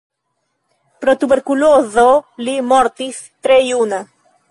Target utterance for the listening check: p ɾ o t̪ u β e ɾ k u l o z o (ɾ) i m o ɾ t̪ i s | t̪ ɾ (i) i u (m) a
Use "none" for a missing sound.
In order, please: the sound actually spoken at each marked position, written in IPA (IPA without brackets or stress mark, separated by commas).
l, e, n